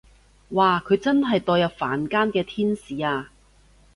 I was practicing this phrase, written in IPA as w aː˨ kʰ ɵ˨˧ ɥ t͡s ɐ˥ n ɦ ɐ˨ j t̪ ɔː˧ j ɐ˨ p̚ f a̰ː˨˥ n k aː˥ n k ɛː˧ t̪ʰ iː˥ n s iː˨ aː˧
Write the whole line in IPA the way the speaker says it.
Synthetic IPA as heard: w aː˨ kʰ ɵ˨˧ ɥ t͡s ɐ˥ n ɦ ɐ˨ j t̪ ɔː˧ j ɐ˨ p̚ f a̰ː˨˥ n k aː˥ n k ɛː˧ t̪ʰ iː˥ n s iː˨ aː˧